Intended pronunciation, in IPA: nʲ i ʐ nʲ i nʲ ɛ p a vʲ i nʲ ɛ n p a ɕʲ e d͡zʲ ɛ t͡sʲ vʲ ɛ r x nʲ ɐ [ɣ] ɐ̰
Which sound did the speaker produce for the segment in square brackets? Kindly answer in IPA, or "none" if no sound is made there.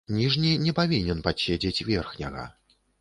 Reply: ɣ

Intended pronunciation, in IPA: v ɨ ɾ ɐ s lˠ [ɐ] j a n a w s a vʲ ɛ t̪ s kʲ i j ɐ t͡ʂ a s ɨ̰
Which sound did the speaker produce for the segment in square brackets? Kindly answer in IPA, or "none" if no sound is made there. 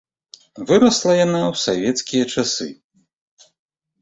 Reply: ɐ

